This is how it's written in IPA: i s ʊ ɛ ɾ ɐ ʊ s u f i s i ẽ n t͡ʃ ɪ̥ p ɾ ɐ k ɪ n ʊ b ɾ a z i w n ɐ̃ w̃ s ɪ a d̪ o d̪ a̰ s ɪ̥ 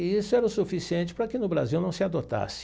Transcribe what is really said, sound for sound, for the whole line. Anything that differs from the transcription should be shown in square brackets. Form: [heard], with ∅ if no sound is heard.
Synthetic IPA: i s ʊ ɛ ɾ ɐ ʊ s u f i s i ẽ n t͡ʃ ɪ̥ p ɾ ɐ k ɪ n ʊ b ɾ a z i w n ɐ̃ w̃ s ɪ a d̪ o [t̪] a̰ s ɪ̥